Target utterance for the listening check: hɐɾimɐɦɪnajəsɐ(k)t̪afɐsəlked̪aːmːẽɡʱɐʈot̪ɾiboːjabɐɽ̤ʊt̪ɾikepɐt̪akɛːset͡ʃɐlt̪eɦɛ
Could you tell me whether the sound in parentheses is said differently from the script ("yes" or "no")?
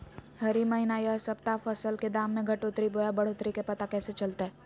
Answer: yes